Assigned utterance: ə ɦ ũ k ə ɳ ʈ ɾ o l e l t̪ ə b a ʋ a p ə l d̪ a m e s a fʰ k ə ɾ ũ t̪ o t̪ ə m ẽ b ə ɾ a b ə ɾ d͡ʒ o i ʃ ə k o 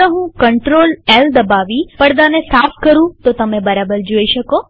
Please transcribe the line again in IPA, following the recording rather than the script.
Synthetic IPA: ə ɦ ũ k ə ɳ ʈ ɾ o l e l d̪ ə b a ʋ i p ə ɽ d̪ a n e s a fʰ k ə ɾ ũ t̪ o t̪ ə m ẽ b ə ɾ a b ə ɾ d͡ʒ o i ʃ ə k o